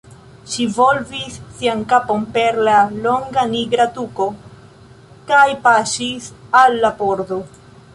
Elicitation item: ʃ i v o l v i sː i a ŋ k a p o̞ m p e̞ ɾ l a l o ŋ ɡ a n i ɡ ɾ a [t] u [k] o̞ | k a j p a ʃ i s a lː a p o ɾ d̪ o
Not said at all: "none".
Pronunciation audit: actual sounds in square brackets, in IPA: t, k

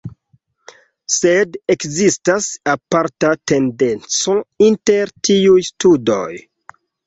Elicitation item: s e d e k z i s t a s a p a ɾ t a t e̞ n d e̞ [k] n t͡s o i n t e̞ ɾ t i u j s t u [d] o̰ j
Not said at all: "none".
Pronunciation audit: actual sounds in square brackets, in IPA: none, d

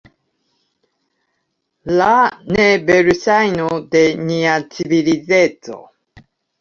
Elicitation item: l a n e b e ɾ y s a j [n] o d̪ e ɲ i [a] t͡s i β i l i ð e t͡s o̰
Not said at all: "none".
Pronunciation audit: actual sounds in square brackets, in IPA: n, a

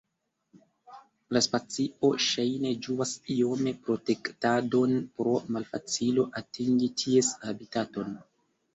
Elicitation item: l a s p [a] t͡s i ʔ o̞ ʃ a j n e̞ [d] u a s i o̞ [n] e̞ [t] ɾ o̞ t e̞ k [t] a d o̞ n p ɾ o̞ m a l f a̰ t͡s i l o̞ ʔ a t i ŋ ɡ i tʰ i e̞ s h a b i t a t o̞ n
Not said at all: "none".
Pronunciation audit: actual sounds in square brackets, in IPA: a, d͡ʒ, m, p, t

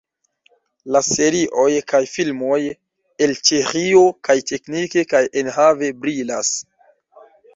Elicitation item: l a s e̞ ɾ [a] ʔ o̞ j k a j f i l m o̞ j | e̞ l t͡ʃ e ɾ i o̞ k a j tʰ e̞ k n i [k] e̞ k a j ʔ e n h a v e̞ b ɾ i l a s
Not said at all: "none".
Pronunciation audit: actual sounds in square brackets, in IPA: i, k

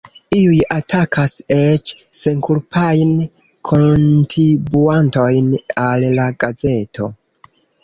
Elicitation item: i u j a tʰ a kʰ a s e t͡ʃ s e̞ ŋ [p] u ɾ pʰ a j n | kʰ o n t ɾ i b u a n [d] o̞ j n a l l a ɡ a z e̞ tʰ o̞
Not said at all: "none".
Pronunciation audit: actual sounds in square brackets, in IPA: k, t

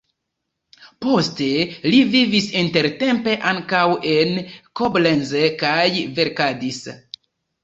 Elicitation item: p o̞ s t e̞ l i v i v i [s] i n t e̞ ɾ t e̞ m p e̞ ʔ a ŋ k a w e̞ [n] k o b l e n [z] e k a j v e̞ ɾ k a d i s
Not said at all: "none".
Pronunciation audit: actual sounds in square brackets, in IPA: s, n, z

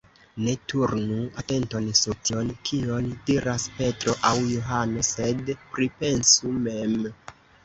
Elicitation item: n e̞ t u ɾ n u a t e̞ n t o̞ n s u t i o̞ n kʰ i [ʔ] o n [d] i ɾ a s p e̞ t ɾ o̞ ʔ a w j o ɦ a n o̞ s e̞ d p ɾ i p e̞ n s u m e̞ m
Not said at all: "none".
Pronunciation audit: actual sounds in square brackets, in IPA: none, d

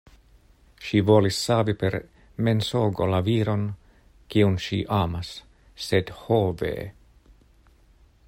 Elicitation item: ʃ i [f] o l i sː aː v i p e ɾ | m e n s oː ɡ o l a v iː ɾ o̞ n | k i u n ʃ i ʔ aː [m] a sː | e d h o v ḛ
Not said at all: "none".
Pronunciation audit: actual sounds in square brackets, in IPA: v, m

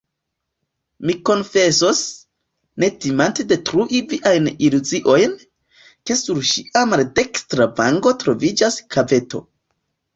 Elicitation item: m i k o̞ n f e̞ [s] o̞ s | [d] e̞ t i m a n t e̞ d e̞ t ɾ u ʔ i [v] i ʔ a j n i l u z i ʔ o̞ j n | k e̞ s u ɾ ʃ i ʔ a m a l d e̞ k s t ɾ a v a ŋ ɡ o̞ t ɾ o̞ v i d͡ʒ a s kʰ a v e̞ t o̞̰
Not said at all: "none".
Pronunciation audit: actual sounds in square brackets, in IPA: s, n, v

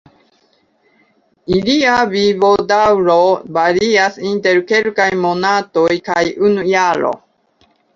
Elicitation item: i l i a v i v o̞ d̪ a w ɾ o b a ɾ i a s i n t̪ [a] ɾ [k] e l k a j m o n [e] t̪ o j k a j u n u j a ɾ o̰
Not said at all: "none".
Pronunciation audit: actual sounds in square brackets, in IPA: e, k, a

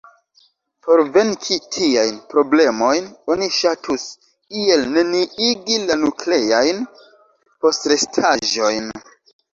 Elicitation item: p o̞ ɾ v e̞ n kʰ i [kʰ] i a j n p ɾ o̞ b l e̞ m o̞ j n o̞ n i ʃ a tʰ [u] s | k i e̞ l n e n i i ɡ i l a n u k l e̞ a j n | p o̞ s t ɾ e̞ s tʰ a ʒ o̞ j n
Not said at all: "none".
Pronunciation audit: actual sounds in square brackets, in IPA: tʰ, u

